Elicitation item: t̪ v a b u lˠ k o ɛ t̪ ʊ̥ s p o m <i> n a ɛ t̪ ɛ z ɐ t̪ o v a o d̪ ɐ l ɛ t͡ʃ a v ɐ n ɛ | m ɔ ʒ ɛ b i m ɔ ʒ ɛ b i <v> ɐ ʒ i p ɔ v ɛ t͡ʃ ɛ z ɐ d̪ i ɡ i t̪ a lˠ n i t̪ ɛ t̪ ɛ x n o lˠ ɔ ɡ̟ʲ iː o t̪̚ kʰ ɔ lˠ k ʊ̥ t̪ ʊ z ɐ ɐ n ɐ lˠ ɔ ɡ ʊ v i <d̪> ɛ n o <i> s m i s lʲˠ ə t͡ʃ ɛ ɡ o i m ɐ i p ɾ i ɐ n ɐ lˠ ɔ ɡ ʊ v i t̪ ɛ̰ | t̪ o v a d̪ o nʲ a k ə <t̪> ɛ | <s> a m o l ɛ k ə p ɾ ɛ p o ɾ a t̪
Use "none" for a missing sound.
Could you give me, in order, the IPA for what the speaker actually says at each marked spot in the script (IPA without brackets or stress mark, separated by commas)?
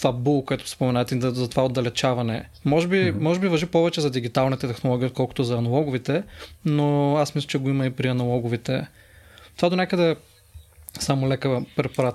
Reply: ɛ, v, t̪, a, d̪, s